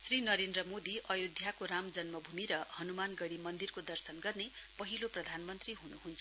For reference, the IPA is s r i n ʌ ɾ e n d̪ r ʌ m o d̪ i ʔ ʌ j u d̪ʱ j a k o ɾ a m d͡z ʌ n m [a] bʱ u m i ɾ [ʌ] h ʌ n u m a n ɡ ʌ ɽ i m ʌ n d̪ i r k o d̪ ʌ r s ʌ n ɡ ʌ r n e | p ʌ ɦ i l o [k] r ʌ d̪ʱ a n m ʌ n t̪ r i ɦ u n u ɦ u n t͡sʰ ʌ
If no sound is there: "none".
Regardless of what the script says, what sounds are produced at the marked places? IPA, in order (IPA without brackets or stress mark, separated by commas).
ʌ, ʌ, p